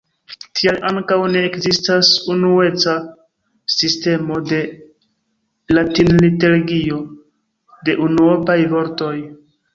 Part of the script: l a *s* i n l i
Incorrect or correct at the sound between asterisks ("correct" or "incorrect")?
incorrect